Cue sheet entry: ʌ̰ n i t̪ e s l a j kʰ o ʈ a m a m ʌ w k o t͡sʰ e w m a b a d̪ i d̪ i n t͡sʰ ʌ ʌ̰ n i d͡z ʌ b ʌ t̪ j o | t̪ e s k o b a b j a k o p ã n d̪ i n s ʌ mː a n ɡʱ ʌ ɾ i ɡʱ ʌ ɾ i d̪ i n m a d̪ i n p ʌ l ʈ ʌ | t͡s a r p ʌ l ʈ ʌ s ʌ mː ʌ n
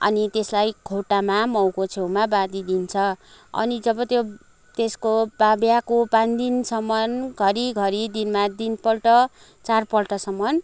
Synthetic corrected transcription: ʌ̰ n i t̪ e s l a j kʰ o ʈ a m a m ʌ w k o t͡sʰ e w m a b a d̪ i d̪ i n t͡sʰ ʌ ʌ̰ n i d͡z ʌ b ʌ t̪ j o | t̪ e s k o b a b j a k o p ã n d̪ i n s ʌ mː ʌ n ɡʱ ʌ ɾ i ɡʱ ʌ ɾ i d̪ i n m a d̪ i n p ʌ l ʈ ʌ | t͡s a r p ʌ l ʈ ʌ s ʌ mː ʌ n